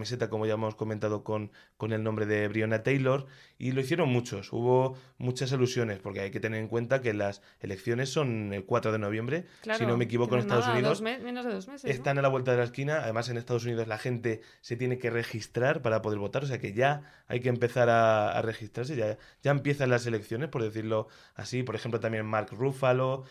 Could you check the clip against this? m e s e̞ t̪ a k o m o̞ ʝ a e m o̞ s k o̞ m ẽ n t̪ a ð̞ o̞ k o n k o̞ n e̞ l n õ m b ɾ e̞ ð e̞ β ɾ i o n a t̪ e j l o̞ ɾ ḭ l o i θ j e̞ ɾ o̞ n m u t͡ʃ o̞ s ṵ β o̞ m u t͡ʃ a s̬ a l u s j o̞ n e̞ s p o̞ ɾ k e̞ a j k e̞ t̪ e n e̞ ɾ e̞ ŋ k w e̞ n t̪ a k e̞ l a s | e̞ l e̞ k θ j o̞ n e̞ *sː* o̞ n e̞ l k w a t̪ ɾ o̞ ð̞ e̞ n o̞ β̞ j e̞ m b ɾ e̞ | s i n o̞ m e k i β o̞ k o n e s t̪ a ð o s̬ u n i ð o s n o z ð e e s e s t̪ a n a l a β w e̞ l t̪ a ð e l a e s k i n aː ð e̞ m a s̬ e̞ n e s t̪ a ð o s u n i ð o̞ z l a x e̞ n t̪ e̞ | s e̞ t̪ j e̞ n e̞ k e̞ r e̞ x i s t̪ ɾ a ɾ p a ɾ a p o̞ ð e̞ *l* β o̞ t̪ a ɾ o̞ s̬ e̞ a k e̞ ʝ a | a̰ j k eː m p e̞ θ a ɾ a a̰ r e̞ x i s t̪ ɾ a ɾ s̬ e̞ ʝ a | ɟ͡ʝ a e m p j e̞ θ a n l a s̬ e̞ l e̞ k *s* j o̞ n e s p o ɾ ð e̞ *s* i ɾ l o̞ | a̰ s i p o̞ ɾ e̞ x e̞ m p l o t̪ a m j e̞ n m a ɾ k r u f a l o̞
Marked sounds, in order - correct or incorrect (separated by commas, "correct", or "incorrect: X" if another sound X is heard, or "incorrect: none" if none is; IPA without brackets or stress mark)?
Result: correct, incorrect: ɾ, incorrect: θ, incorrect: θ